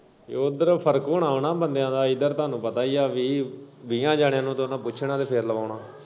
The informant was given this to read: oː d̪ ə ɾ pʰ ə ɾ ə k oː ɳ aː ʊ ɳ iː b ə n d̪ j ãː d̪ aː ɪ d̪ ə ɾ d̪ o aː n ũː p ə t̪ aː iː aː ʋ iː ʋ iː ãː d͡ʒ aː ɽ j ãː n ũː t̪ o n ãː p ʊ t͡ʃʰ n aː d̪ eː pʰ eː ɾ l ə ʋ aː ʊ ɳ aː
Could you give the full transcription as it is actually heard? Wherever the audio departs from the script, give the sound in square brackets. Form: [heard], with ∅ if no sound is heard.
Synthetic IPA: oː d̪ ə ɾ pʰ ə ɾ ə k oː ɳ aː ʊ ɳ [aː] b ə n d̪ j ãː d̪ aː ɪ d̪ ə ɾ [t̪] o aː n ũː p ə t̪ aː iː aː ʋ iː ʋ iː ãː d͡ʒ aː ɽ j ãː n ũː t̪ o n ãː p ʊ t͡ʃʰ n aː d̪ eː pʰ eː ɾ l ə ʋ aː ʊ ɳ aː